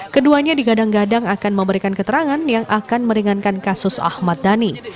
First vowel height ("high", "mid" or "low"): mid